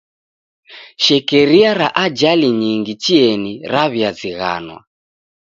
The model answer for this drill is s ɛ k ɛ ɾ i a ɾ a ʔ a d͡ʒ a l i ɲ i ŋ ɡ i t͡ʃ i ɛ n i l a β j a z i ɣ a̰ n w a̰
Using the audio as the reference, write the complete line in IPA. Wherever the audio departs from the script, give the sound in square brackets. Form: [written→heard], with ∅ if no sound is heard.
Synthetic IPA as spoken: [s→ʃ] ɛ k ɛ ɾ i a ɾ a ʔ a d͡ʒ a l i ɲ i ŋ ɡ i t͡ʃ i ɛ n i [l→ɾ] a β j a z i ɣ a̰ n w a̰